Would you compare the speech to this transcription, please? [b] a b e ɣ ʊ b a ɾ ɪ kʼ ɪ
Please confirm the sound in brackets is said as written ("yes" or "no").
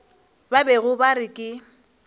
yes